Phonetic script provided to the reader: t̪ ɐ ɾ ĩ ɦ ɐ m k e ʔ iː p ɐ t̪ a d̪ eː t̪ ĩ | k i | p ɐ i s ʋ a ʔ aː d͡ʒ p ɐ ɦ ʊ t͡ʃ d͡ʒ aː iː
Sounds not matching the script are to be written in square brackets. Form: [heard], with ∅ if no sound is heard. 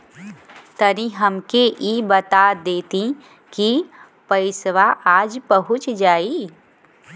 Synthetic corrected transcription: t̪ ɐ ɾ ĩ ɦ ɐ m k e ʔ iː [b] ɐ t̪ a d̪ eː t̪ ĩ | k i | p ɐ [ɪ] s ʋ a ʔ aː d͡ʒ p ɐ ɦ ʊ t͡ʃ d͡ʒ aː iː